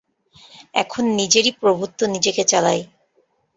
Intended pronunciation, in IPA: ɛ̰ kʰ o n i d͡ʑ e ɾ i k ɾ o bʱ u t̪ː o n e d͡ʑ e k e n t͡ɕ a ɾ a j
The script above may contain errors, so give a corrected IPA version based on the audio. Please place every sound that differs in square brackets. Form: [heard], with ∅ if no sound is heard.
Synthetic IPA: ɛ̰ kʰ o [nː] i d͡ʑ e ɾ i [p] ɾ o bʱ u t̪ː o n [i] d͡ʑ e k e [∅] t͡ɕ a [l] a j